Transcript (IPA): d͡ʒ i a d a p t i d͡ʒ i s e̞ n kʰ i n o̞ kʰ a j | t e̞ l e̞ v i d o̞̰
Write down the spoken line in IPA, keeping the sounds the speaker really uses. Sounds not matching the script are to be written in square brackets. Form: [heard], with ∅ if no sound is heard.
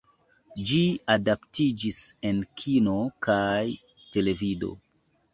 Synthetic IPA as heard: d͡ʒ i a d a p t i d͡ʒ i s e̞ n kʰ i n o̞ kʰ a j | t e̞ l e̞ v i d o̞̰